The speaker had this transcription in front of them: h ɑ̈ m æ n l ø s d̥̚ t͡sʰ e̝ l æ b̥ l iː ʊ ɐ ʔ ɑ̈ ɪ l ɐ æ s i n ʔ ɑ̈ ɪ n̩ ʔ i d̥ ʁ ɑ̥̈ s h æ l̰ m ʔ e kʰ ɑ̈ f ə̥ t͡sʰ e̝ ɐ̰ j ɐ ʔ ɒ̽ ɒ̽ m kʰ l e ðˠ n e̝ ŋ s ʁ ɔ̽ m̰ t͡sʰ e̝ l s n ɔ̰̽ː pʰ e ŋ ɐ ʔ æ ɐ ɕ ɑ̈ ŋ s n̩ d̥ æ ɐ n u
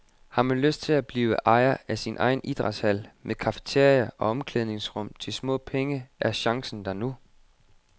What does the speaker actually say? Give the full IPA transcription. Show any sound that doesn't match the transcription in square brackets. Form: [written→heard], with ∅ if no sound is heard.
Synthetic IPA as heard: h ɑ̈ m æ n l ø s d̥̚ t͡sʰ e̝ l æ b̥ l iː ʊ [ɐ→ə] ʔ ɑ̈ ɪ [l→∅] ɐ æ s i n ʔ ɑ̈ ɪ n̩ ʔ i d̥ ʁ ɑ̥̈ s h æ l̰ m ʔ e kʰ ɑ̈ f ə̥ t͡sʰ e̝ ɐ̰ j ɐ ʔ ɒ̽ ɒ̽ m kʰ l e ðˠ n e̝ ŋ s ʁ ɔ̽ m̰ t͡sʰ e̝ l s [n→m] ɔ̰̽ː pʰ e ŋ [ɐ→ə] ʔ æ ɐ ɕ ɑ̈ ŋ s n̩ d̥ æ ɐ n u

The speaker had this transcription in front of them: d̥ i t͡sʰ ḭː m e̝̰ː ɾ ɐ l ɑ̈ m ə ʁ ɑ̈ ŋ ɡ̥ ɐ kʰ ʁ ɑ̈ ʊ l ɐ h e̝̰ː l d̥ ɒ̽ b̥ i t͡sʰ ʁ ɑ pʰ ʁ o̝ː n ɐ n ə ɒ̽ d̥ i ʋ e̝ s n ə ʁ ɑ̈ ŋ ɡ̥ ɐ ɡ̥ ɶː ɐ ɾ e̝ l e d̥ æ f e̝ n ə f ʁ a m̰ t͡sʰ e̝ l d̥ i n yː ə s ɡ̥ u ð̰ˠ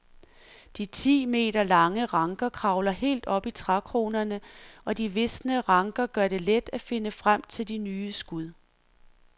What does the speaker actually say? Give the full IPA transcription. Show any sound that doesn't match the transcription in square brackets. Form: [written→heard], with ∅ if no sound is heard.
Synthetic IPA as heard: d̥ i t͡sʰ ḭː m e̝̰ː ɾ ɐ l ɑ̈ [m→ŋ] ə ʁ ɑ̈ ŋ ɡ̥ ɐ kʰ ʁ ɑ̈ ʊ l ɐ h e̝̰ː l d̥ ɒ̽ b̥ i t͡sʰ ʁ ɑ [pʰ→kʰ] ʁ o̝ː n ɐ n ə ɒ̽ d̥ i ʋ e̝ s n ə ʁ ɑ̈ ŋ ɡ̥ ɐ ɡ̥ [ɶː→ɶ] ɐ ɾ e̝ l e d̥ æ f e̝ n ə f ʁ a m̰ t͡sʰ e̝ l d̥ i n yː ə s ɡ̥ u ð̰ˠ

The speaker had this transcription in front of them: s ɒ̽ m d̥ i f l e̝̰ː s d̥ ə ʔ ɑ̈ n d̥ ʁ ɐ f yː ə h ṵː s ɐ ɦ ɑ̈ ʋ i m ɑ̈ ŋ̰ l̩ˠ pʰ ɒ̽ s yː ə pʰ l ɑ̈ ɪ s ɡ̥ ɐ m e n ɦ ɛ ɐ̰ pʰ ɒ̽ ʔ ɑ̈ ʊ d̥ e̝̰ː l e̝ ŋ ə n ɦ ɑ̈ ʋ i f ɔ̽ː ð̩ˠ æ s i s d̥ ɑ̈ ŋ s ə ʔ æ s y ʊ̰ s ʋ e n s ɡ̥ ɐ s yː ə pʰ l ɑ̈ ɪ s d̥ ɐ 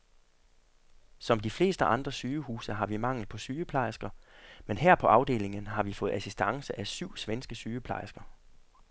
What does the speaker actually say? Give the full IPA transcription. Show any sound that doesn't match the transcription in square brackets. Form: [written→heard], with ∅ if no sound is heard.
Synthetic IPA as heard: s ɒ̽ m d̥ i f l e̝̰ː s d̥ ə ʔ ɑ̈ n d̥ ʁ ɐ [f→s] yː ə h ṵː s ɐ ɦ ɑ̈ ʋ i m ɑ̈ ŋ̰ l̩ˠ pʰ ɒ̽ s yː ə pʰ l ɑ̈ ɪ s ɡ̥ ɐ m e n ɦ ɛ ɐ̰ pʰ ɒ̽ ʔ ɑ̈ ʊ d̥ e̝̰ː l e̝ ŋ ə n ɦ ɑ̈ ʋ i f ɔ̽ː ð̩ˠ æ s i s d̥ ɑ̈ ŋ s ə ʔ æ s y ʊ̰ s ʋ e n s ɡ̥ [ɐ→ə] s yː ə pʰ l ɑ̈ ɪ s [d̥→ɡ̥] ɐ

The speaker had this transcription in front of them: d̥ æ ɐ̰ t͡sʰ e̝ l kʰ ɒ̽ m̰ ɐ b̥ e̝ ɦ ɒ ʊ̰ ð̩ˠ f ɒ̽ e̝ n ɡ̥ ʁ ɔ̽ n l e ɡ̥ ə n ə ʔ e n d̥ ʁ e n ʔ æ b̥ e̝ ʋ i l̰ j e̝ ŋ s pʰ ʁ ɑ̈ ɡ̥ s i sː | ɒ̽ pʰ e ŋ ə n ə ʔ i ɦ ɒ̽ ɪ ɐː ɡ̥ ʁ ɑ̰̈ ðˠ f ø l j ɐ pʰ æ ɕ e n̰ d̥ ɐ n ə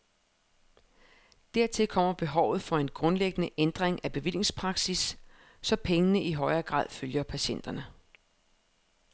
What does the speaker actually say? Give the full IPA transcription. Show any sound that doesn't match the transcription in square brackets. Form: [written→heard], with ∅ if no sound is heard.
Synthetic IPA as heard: d̥ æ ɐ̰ t͡sʰ e̝ l kʰ ɒ̽ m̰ ɐ b̥ e̝ ɦ ɒ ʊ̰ ð̩ˠ f ɒ̽ e̝ n ɡ̥ ʁ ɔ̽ n l e ɡ̥ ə n ə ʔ e n d̥ ʁ e [n→ŋ] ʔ æ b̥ e̝ ʋ i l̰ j e̝ ŋ s pʰ ʁ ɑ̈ ɡ̥ s i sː | ɒ̽ pʰ e ŋ ə n ə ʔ i ɦ ɒ̽ ɪ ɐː ɡ̥ ʁ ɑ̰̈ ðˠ f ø l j ɐ pʰ æ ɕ e n̰ d̥ ɐ n ə

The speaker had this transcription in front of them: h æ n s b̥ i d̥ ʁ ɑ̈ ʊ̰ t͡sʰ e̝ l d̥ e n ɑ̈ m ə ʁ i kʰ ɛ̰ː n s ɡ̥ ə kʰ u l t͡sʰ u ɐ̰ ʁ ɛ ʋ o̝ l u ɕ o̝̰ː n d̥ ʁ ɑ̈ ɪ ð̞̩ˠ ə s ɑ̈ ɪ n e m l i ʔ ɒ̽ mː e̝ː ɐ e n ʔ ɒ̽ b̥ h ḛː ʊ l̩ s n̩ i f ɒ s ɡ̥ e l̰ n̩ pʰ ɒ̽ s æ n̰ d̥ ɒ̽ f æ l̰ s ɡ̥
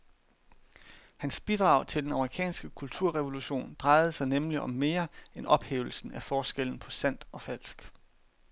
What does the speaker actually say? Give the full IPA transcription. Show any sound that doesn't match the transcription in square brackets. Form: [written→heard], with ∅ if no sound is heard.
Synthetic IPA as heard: h æ n s b̥ i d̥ ʁ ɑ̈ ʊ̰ t͡sʰ e̝ l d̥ e n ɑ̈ m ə ʁ i kʰ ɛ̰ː n s ɡ̥ ə kʰ u l t͡sʰ u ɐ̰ ʁ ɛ ʋ o̝ l u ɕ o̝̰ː n d̥ ʁ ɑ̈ ɪ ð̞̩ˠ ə s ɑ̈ ɪ n e m l i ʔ ɒ̽ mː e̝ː ɐ e n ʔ ɒ̽ b̥ h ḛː ʊ l̩ s n̩ [i→æ] f [ɒ→ɒː] s ɡ̥ e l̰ n̩ pʰ ɒ̽ s æ n̰ d̥ ɒ̽ f æ l̰ s ɡ̥

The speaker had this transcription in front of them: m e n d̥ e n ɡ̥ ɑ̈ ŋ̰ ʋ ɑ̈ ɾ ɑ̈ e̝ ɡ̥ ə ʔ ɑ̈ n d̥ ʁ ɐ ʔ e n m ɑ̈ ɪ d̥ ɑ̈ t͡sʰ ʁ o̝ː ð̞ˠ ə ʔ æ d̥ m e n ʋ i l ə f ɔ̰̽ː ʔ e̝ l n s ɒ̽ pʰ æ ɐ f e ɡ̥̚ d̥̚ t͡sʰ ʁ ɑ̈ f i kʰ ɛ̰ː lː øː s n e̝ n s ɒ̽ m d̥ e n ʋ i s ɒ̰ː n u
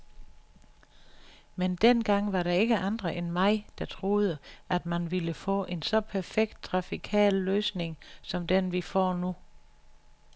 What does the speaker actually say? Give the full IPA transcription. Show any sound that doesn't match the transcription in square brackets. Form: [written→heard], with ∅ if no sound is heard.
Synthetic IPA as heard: m e n d̥ e n ɡ̥ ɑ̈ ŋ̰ ʋ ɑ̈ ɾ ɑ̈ e̝ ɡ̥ ə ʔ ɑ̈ n d̥ ʁ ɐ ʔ e n m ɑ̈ ɪ d̥ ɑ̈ t͡sʰ ʁ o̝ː ð̞ˠ ə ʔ æ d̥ m [e→æ] n ʋ i l ə f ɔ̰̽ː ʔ e̝ [l→∅] n s ɒ̽ pʰ æ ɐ f e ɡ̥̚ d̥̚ t͡sʰ ʁ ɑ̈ f i kʰ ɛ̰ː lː øː s n e̝ [n→ŋ] s ɒ̽ m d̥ e n ʋ i [s→f] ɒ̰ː n u

